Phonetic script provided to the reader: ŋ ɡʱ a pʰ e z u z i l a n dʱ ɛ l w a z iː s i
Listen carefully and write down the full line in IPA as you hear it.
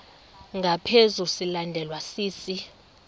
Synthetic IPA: ŋ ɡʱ a pʰ e z u s i l a n dʱ ɛ l w a s iː s i